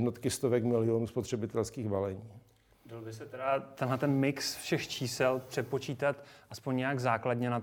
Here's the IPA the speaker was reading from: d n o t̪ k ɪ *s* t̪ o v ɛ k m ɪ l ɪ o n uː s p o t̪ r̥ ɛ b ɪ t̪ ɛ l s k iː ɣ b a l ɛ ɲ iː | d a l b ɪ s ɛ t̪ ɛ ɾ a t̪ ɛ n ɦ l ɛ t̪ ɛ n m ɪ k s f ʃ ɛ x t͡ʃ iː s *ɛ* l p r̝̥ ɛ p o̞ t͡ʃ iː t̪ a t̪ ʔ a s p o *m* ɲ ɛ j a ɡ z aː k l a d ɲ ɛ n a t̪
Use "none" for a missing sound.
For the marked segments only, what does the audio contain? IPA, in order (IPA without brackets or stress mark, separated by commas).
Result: s, ɛ, ɲ